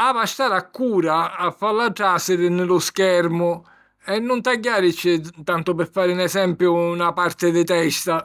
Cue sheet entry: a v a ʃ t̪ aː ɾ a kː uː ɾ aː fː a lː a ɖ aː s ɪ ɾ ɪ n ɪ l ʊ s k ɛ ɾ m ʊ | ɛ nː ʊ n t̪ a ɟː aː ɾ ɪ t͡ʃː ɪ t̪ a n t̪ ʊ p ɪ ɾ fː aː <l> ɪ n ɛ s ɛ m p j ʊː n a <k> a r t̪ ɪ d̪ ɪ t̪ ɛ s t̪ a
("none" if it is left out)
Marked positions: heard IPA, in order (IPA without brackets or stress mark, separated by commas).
ɾ, p